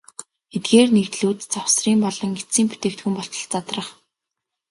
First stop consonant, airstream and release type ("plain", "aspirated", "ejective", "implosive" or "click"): plain